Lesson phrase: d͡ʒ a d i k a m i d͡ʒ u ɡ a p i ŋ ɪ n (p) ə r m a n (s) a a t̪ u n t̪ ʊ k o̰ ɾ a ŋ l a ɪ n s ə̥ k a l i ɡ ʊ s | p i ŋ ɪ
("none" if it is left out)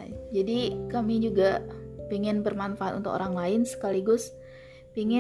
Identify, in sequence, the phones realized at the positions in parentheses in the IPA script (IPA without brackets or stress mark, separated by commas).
b, f